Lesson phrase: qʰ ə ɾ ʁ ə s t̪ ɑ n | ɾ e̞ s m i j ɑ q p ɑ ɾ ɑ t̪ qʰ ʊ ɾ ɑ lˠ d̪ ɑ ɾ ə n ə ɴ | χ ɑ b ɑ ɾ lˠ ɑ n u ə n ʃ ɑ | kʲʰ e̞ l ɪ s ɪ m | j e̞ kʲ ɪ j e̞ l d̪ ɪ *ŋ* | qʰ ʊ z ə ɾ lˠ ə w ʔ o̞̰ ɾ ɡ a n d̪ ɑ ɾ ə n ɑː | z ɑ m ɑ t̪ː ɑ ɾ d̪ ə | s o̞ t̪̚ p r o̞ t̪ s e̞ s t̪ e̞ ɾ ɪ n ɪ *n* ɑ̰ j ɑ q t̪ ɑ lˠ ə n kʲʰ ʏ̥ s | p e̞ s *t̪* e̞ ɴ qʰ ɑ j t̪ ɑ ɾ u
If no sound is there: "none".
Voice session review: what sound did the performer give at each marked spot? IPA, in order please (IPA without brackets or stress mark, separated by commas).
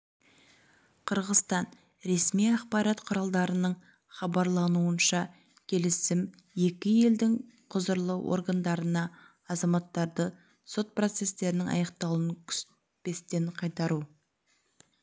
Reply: ŋ, ŋ, t̪